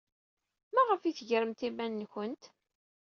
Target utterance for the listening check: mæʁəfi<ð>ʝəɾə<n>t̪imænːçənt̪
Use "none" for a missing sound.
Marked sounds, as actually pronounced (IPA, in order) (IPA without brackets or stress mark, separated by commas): θ, m